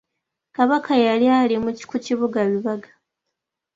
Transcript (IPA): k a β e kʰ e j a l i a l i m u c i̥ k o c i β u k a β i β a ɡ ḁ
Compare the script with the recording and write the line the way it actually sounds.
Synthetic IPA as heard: k a β a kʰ a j a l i a l i m u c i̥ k u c i β u ɡ a β i β a ɡ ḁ